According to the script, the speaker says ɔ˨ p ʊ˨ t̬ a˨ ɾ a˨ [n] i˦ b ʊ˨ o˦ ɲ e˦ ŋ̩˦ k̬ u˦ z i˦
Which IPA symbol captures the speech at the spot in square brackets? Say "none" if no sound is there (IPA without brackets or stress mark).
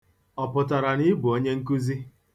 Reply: n